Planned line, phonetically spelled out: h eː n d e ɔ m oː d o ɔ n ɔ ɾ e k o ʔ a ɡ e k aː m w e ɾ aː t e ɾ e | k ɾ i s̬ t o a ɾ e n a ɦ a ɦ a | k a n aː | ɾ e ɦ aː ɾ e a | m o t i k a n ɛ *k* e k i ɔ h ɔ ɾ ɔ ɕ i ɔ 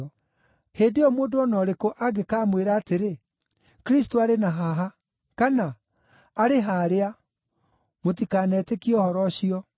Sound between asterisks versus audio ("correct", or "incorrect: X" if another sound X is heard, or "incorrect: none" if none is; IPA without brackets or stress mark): incorrect: t